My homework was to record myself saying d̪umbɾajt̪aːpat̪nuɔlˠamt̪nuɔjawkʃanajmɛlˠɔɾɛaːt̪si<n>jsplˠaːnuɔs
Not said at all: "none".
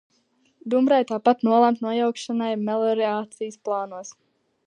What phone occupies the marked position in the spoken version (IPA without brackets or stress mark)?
none